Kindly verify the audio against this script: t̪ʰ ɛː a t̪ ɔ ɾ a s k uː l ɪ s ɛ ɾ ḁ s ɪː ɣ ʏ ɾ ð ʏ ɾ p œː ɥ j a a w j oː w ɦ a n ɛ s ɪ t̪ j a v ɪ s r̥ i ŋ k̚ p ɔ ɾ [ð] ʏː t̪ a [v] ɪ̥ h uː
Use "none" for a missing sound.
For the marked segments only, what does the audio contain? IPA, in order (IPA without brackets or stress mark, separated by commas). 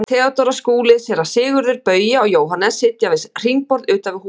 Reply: ð, v